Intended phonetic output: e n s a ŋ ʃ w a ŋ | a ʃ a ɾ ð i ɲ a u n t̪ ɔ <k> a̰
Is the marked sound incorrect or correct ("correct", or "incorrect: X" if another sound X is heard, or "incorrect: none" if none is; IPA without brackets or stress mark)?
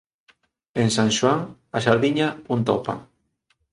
incorrect: p